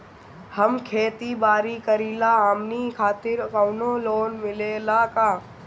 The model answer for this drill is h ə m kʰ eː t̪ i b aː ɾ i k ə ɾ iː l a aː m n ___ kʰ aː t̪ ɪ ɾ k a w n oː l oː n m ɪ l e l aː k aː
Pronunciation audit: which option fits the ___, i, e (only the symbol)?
i